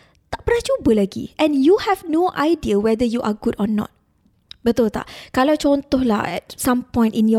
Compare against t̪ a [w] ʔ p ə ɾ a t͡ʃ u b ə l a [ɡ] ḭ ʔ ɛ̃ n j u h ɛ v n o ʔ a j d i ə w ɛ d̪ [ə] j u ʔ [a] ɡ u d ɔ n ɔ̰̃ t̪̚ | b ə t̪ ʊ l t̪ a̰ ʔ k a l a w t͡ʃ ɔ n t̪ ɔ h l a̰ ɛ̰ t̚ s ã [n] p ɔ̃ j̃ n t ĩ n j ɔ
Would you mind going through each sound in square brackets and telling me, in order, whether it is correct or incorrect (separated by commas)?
incorrect, correct, correct, correct, incorrect